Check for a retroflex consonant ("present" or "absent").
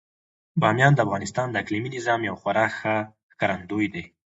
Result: absent